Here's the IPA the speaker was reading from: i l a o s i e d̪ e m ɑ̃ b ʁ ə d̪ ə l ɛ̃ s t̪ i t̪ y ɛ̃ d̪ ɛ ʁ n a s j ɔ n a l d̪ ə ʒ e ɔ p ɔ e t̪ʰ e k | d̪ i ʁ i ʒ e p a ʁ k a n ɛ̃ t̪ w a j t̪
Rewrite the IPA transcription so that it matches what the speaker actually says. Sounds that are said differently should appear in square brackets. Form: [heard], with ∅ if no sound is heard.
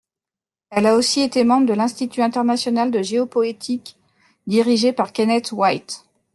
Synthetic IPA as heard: [ɛ] l a o s i e [t̪] e m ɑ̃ b ʁ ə d̪ ə l ɛ̃ s t̪ i t̪ y ɛ̃ [t̪] ɛ ʁ n a s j ɔ n a l d̪ ə ʒ e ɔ p ɔ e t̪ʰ [i] k | d̪ i ʁ i ʒ e p a ʁ k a n [ɛ] t̪ w a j t̪

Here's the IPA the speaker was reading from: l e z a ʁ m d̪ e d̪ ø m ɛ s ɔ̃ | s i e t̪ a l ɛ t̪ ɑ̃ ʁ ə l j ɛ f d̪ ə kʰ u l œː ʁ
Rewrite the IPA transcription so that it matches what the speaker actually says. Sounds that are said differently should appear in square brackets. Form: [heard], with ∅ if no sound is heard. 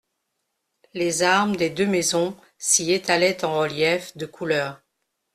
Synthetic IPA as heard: l e z a ʁ m d̪ e d̪ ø m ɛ [z] ɔ̃ | s i e t̪ a l ɛ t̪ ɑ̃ ʁ ə l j ɛ f d̪ ə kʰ u l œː ʁ

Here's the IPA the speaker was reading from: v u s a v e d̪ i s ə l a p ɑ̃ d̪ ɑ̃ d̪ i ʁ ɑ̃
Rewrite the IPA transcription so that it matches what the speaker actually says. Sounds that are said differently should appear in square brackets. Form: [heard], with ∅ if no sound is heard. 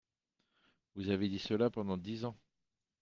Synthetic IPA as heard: v u [z] a v e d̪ i s ə l a p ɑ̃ d̪ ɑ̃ d̪ i [z] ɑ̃

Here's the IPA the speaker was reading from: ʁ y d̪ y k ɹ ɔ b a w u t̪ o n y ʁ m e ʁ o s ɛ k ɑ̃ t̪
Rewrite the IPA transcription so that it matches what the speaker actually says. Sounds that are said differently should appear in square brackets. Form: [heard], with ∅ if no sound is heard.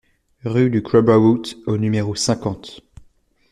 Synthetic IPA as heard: ʁ y d̪ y k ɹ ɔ b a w u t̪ o n y [∅] m e ʁ o s [ɛ̃] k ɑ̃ t̪

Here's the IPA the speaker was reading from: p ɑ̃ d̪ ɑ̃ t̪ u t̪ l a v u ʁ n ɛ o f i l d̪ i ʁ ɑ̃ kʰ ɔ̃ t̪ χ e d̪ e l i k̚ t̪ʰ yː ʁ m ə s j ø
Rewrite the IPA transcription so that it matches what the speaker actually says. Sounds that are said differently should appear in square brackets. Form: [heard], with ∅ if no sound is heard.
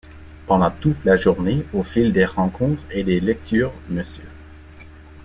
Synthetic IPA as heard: p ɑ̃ d̪ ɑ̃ t̪ u t̪ l a [ʒ] u ʁ n [e] o f i l d̪ [e] ʁ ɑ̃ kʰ ɔ̃ t̪ χ e d̪ e l [ɛ] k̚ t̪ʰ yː ʁ m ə s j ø

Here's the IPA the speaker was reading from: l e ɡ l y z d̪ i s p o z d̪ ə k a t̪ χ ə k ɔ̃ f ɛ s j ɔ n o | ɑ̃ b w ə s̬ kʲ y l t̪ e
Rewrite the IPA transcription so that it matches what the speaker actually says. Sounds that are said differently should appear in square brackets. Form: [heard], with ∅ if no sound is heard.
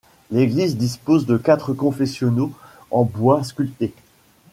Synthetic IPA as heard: l e ɡ l [i] z d̪ i s p o z d̪ ə k a t̪ χ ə k ɔ̃ f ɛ s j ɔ n o | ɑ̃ b w [a] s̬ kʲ y l t̪ e

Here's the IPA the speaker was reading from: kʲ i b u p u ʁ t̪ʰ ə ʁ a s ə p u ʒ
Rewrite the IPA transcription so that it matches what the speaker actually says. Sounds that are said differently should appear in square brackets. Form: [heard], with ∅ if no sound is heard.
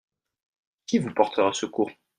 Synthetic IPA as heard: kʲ i [v] u p [ɔ] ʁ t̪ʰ ə ʁ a s ə [k] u [ʁ]

